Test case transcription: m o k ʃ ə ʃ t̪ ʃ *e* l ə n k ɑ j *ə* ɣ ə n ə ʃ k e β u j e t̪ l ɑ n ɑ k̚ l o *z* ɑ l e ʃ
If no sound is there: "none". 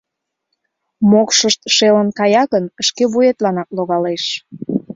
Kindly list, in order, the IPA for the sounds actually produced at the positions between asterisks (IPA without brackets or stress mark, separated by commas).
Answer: e, ɑ, ɣ